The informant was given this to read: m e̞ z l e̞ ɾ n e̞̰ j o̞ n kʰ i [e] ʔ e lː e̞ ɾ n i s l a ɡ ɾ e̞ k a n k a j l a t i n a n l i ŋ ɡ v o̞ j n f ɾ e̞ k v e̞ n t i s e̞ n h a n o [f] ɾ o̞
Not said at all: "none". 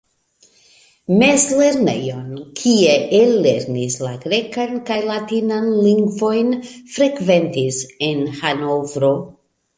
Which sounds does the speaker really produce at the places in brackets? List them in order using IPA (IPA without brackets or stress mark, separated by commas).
e, v